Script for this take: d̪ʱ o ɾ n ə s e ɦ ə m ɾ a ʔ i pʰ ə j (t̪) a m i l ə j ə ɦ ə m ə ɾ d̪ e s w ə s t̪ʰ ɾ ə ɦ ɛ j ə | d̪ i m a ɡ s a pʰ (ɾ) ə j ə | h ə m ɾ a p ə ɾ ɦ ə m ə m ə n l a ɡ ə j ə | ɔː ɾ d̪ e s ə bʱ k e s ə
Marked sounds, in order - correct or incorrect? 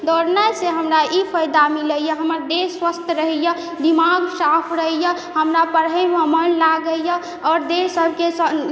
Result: incorrect, correct

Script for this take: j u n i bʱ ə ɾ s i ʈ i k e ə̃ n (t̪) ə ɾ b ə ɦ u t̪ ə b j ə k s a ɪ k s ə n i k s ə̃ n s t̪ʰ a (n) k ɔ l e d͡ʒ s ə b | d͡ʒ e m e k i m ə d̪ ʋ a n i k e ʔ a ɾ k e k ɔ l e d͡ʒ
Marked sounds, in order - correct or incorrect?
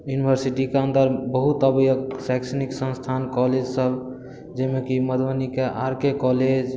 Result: incorrect, correct

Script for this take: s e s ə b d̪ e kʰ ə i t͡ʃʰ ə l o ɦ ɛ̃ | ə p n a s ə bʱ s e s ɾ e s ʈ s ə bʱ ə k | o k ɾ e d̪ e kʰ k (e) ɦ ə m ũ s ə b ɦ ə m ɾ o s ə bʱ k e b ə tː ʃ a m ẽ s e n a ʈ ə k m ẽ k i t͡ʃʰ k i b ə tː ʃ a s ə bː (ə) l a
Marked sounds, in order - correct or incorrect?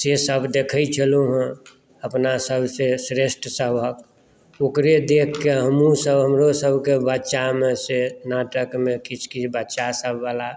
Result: correct, incorrect

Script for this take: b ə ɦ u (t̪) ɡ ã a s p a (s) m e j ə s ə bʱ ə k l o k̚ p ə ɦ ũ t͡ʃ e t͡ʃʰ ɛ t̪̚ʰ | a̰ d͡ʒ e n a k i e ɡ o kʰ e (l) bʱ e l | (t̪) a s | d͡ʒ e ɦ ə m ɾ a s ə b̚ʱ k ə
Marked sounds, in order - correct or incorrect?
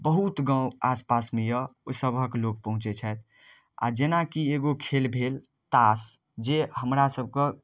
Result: correct, correct, correct, correct

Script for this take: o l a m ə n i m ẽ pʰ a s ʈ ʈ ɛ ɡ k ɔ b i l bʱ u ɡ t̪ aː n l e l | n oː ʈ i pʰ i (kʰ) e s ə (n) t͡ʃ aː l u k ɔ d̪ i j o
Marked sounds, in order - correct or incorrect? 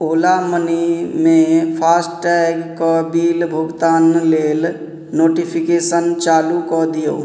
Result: incorrect, correct

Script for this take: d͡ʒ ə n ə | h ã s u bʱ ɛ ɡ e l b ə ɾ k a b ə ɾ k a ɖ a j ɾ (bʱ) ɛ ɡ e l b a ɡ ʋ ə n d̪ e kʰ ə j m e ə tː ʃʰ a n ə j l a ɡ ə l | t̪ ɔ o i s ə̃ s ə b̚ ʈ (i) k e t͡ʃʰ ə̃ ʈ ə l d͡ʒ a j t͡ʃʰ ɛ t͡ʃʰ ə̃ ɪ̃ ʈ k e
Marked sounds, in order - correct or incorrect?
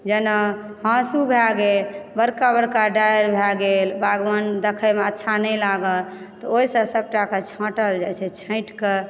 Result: correct, incorrect

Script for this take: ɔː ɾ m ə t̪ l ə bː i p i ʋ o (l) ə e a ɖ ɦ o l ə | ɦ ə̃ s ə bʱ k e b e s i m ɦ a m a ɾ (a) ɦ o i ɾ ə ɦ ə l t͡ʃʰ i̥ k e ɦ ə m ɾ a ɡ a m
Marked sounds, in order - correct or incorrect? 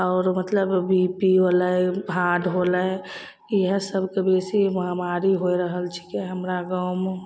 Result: correct, incorrect

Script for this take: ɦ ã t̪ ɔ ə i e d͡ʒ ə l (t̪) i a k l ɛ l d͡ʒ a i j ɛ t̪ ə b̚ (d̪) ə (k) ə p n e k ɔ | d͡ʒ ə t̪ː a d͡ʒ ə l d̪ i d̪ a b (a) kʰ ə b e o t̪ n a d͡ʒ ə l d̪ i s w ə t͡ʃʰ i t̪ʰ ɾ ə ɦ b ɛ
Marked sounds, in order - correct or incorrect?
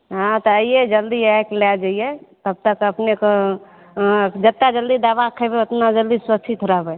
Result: incorrect, incorrect, correct, correct

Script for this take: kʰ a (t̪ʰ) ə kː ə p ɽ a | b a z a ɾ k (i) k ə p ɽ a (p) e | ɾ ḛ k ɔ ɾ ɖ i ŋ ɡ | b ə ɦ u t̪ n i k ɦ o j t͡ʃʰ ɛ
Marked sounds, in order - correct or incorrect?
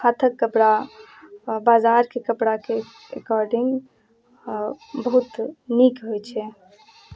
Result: correct, incorrect, incorrect

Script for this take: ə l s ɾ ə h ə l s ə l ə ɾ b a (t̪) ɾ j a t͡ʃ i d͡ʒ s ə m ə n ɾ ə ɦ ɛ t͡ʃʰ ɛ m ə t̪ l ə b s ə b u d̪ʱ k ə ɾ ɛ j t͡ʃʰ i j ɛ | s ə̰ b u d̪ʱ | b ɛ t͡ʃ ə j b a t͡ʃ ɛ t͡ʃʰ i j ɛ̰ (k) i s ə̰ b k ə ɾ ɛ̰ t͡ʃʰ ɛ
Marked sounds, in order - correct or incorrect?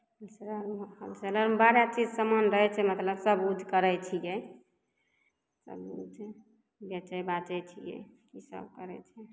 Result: incorrect, correct

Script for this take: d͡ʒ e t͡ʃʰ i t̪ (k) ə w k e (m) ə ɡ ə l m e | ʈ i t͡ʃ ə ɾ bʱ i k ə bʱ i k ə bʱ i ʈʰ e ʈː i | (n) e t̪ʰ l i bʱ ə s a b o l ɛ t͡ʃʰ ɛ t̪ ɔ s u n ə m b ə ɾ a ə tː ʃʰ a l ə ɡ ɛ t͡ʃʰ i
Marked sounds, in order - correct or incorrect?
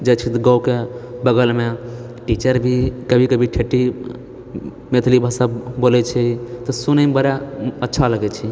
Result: incorrect, incorrect, incorrect

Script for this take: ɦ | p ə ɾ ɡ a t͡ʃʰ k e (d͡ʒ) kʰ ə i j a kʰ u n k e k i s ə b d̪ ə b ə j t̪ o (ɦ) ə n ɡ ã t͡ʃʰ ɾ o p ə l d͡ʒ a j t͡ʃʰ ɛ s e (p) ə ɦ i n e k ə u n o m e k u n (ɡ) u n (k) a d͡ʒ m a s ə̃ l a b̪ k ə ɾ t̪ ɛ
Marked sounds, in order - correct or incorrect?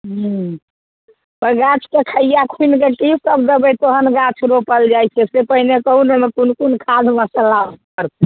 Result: incorrect, correct, correct, incorrect, incorrect

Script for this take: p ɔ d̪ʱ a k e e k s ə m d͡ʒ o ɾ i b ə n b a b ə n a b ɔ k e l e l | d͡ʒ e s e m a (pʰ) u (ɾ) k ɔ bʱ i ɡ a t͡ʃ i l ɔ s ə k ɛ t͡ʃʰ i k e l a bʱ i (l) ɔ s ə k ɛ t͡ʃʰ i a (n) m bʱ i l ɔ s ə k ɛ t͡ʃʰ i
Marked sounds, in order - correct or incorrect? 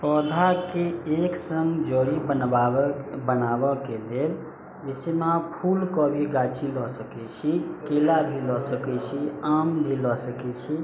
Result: correct, incorrect, correct, incorrect

